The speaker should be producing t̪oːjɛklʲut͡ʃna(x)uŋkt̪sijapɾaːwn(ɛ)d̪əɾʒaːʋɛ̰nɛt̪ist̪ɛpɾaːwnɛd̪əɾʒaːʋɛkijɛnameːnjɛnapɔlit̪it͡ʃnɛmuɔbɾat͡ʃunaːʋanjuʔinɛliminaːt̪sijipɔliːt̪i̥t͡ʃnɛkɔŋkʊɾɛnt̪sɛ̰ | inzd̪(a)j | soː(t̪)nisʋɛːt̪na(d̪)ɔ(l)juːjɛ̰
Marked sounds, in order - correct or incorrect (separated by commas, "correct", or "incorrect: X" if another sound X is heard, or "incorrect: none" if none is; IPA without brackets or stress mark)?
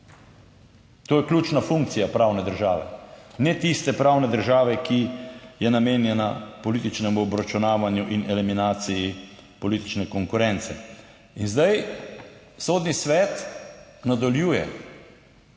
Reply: incorrect: f, correct, correct, incorrect: d̪, correct, correct